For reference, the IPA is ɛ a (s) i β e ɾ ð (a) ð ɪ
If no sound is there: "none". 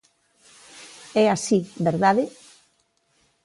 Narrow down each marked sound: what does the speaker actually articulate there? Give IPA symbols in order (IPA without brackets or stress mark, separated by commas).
s, a